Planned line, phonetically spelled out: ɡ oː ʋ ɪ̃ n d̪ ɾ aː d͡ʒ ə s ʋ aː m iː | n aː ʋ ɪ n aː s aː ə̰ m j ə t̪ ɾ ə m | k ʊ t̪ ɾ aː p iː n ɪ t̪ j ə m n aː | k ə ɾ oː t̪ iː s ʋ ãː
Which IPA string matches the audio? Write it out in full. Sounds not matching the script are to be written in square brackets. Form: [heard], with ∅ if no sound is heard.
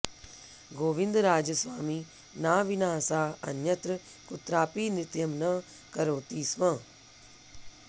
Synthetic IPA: ɡ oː ʋ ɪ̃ n d̪ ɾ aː d͡ʒ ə s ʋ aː m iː | n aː ʋ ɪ n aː s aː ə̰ [n] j ə t̪ ɾ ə [∅] | k ʊ t̪ ɾ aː p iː n ɪ t̪ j ə m n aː | k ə ɾ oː t̪ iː s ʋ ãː